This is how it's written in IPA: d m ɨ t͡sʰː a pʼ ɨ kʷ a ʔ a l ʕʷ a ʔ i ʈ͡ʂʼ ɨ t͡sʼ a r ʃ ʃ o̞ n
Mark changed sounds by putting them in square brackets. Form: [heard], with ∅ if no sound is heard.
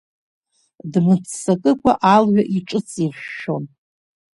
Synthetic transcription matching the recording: d m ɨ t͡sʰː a [kʼ] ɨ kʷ a ʔ a l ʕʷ a ʔ i ʈ͡ʂʼ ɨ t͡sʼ [i] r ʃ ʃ o̞ n